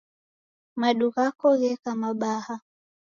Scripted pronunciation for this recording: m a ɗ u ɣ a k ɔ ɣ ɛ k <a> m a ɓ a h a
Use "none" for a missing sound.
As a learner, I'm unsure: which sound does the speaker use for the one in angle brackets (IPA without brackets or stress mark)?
a